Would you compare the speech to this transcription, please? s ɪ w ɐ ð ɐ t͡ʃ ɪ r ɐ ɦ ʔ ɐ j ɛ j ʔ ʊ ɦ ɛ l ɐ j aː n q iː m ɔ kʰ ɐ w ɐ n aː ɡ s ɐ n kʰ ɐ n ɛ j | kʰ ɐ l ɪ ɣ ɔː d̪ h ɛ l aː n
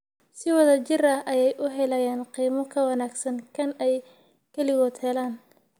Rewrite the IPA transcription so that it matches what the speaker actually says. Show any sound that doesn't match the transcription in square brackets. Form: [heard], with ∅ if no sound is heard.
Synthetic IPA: s ɪ w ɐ ð ɐ t͡ʃ ɪ r ɐ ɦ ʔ ɐ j ɛ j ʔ ʊ ɦ ɛ l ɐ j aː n q iː m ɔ kʰ ɐ w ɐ n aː ɡ s ɐ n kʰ ɐ n ɛ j | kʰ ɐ l ɪ ɣ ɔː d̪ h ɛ l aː n

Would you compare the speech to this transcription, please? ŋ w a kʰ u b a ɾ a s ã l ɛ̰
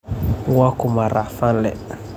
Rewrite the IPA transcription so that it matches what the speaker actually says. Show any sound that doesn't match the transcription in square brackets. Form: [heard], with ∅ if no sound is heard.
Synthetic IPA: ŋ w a [k] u [m] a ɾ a [f] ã l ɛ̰

